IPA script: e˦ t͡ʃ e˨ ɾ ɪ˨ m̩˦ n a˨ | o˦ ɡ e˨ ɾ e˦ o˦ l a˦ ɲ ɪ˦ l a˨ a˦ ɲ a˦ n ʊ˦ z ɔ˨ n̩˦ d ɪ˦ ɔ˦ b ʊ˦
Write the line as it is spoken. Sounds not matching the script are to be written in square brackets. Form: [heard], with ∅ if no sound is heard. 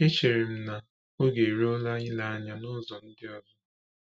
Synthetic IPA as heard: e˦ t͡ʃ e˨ ɾ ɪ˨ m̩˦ n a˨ | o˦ ɡ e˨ ɾ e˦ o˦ l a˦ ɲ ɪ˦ l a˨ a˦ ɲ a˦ n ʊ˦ z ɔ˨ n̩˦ d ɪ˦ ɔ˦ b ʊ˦